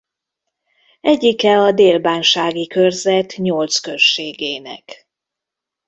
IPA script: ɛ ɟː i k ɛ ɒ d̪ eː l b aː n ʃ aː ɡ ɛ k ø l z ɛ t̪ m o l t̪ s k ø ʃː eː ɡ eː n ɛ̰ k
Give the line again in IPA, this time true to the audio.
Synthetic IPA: ɛ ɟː i k ɛ ɒ d̪ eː l b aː n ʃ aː ɡ i k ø r z ɛ t̪ ɲ o l t̪ s k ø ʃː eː ɡ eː n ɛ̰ k